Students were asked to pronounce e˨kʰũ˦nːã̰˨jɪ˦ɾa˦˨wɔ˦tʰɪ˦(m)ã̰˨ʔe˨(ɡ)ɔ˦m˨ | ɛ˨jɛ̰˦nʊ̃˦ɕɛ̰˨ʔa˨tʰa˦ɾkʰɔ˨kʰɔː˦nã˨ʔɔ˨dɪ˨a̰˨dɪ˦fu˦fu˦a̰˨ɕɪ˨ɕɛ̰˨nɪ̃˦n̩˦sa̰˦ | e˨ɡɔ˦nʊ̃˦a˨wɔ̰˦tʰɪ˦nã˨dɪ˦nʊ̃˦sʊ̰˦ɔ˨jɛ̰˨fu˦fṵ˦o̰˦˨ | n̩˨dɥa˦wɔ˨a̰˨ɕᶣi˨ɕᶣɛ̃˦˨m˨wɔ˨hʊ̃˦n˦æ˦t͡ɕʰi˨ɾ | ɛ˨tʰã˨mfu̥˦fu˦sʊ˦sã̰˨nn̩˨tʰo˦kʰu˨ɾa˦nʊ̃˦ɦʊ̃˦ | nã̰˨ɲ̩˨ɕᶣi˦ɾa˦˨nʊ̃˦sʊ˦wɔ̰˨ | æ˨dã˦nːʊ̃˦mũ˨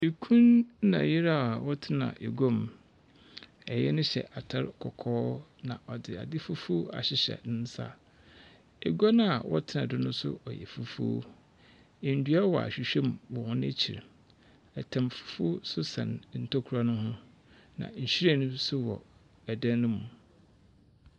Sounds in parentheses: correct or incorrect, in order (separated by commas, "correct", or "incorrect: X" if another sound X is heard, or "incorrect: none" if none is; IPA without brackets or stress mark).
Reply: incorrect: n, correct